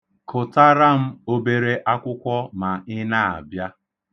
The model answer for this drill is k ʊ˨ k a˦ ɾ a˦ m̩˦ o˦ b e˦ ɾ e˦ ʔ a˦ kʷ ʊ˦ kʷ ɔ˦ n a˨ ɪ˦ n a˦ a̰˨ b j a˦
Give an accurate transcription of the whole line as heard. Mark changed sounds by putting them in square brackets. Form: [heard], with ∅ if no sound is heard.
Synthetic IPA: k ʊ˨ [t] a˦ ɾ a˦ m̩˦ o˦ b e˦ ɾ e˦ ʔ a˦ kʷ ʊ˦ kʷ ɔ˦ [m] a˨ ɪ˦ n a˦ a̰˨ b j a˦